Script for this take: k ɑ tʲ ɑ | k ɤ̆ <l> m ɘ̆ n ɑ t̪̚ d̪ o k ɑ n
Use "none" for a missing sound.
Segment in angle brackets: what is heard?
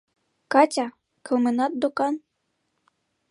l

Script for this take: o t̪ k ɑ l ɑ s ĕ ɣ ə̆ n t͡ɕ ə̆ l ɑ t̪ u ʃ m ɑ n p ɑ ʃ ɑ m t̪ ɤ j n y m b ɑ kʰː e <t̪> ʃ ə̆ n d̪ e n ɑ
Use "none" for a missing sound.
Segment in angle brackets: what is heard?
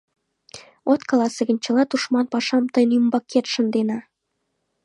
t̪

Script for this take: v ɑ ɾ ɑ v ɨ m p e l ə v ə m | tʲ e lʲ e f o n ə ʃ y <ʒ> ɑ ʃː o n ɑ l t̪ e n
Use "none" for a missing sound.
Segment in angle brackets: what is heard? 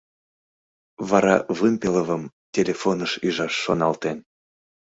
ʒ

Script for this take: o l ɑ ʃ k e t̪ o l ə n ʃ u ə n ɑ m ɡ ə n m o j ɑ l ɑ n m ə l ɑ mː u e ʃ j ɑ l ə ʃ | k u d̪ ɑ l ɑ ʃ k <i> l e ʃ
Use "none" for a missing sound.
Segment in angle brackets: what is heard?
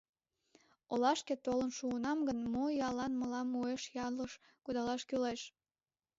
y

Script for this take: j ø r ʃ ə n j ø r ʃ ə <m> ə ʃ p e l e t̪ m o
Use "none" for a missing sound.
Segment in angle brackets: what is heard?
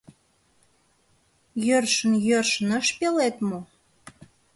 n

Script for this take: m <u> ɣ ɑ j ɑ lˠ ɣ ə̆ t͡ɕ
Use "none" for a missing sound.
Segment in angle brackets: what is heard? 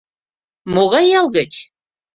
o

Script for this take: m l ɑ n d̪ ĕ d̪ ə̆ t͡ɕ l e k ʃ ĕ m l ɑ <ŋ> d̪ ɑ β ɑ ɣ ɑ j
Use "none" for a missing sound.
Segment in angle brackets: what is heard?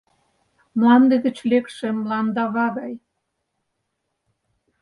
n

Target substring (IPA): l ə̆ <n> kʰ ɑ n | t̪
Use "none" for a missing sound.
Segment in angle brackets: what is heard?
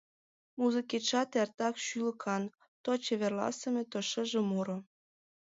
none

